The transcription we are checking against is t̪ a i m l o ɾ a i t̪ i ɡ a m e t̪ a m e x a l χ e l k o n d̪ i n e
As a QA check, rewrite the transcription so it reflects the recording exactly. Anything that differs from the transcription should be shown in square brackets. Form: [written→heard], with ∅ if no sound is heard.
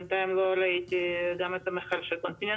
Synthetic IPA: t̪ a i m l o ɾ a i t̪ i ɡ a m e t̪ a m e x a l [χ→ʃ] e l k o n [d̪→t̪] i n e